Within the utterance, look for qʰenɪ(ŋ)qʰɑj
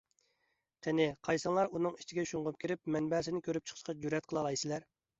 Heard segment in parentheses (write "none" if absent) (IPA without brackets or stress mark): none